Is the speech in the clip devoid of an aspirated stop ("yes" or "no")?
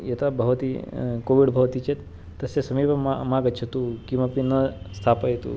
no